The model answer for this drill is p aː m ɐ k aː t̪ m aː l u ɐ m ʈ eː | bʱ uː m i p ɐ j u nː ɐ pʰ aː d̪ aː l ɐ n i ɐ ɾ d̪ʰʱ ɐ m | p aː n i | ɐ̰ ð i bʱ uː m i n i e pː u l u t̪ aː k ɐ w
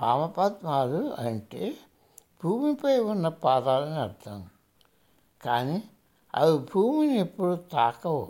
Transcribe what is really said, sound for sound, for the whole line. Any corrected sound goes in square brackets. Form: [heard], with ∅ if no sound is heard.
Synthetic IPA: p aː m ɐ [p] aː t̪ m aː l u ɐ [ɳ] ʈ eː | bʱ uː m i p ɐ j u nː ɐ [p] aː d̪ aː l ɐ n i ɐ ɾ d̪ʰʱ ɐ m | [k] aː n i | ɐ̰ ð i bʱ uː m i n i e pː u [ɽ] u t̪ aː k ɐ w